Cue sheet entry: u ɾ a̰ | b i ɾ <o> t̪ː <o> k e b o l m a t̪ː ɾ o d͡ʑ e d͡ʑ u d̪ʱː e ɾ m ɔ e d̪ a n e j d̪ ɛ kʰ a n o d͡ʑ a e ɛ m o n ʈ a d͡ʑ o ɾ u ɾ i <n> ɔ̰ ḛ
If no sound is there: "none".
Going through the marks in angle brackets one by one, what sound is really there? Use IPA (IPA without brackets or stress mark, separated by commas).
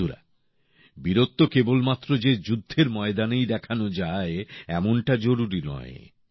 o, o, n